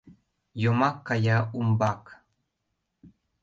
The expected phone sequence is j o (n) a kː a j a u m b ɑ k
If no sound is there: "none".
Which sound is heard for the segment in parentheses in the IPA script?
m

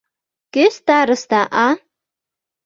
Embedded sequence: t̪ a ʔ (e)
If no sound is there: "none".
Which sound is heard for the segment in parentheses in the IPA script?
a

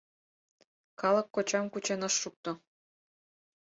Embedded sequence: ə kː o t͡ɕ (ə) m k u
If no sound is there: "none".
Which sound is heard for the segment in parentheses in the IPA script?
ɑ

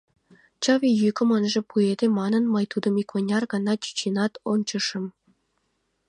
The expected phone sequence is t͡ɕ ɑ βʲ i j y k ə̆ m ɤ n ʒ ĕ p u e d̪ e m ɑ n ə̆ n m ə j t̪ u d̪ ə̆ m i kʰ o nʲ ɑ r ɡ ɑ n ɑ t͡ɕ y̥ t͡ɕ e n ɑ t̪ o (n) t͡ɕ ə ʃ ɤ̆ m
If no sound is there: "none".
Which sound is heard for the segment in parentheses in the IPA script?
n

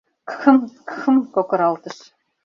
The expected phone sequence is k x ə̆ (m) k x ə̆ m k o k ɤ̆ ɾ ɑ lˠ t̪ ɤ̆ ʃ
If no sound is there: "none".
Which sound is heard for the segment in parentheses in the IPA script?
m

